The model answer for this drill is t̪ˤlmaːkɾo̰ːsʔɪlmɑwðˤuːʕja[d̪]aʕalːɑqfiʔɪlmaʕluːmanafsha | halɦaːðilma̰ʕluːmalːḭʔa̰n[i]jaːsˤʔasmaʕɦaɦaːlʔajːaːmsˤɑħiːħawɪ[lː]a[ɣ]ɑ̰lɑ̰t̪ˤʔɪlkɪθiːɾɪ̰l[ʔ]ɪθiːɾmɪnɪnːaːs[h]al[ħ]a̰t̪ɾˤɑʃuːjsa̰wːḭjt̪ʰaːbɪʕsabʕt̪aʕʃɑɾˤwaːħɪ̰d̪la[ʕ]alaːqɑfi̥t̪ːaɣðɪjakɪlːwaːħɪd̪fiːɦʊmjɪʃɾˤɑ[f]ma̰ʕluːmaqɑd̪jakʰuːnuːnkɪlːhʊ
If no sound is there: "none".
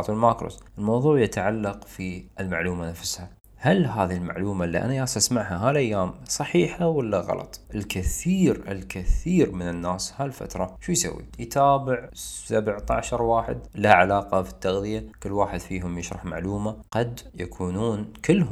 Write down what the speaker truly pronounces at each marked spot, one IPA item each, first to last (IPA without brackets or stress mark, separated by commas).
t̪, a, lː, ɣ, k, h, f, ʕ, ħ